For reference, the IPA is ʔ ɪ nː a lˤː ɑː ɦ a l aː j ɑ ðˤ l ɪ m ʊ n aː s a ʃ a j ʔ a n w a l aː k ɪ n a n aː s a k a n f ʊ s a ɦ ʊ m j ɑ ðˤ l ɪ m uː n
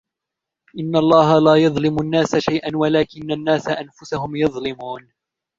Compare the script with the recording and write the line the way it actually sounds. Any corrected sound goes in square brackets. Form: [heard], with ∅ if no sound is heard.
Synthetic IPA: ʔ ɪ nː a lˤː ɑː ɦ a l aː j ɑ ðˤ l ɪ m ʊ [nː] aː s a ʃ a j ʔ a n w a l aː k ɪ [nː] a [nː] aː s a [ʔ] a n f ʊ s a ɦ ʊ m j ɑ ðˤ l ɪ m uː n